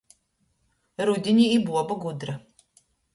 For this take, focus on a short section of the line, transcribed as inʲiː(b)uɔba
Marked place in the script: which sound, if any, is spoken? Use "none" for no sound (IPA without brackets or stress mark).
b